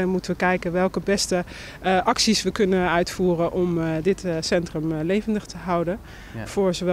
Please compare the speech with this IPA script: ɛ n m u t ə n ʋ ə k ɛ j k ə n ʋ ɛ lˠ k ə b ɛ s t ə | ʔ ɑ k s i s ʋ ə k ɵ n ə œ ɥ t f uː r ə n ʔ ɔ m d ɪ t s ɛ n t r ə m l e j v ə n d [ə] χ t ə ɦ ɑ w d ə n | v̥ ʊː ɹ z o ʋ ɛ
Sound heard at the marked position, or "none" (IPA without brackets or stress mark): ə